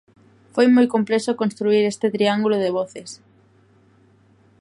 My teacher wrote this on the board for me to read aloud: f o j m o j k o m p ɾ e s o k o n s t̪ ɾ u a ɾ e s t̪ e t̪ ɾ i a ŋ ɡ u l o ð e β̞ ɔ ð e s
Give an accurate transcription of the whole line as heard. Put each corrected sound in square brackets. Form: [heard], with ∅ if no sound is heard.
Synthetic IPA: f o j m o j k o m p [l] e s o k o n s t̪ ɾ u [i] ɾ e s t̪ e t̪ ɾ i a ŋ ɡ u l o ð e β̞ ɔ [θ] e s